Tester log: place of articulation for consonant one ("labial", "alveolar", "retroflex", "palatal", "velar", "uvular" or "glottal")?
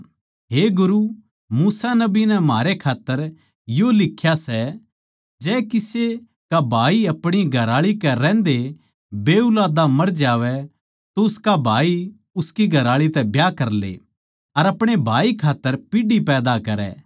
glottal